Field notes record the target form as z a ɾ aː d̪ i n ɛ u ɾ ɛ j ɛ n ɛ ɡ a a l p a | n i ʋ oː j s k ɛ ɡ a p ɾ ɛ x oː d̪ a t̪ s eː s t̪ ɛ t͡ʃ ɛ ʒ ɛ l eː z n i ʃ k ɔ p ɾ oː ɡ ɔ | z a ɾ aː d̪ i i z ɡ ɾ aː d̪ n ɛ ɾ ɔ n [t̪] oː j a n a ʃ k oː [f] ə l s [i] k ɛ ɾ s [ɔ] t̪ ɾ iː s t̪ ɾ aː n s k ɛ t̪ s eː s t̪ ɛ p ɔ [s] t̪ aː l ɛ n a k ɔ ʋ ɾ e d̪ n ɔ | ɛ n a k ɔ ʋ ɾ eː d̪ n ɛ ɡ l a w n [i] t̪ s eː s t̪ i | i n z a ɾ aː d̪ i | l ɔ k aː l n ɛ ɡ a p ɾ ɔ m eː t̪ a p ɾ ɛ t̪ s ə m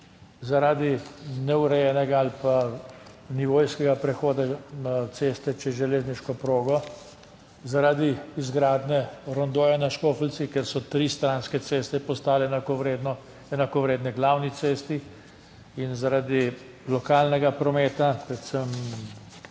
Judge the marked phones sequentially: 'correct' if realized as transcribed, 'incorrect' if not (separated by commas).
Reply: incorrect, correct, correct, correct, correct, correct